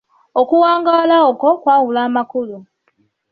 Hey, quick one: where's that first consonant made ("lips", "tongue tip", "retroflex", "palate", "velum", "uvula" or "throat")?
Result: velum